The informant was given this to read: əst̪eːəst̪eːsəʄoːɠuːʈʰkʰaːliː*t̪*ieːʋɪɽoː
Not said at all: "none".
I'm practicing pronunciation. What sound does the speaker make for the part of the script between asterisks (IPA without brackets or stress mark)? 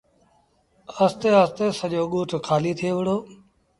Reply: t̪ʰ